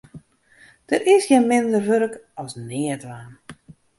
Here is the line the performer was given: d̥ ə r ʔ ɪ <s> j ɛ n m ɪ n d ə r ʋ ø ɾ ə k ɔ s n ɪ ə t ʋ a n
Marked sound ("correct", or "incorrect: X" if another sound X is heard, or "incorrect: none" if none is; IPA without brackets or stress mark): correct